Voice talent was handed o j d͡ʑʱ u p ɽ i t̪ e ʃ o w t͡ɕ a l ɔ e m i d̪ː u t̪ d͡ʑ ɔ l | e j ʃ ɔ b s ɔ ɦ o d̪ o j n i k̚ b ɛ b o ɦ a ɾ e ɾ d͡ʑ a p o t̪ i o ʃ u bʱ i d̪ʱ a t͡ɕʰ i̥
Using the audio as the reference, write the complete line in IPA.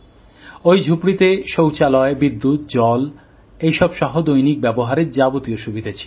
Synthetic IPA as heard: o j d͡ʑʱ u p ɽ i t̪ e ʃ o w t͡ɕ a l ɔ e b i d̪ː u t̪ d͡ʑ ɔ l | e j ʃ ɔ b ʃ ɔ ɦ o d̪ o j n i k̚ b ɛ b o ɦ a ɾ e ɾ d͡ʑ a b o t̪ i o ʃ u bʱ i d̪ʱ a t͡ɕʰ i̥